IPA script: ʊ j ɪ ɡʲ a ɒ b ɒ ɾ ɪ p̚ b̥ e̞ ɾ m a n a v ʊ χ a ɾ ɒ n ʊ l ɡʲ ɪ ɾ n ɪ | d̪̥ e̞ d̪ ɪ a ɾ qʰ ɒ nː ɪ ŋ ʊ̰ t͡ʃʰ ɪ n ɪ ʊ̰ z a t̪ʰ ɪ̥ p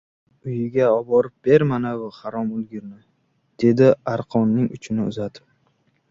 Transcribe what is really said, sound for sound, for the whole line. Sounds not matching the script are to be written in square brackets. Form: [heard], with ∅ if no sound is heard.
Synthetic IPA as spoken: ʊ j ɪ ɡʲ a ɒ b ɒ ɾ ɪ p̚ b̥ e̞ ɾ m a n a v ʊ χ a ɾ ɒ [m] ʊ l ɡʲ ɪ ɾ n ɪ | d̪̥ e̞ d̪ ɪ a ɾ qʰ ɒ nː ɪ ŋ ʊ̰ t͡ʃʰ ɪ n ɪ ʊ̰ z a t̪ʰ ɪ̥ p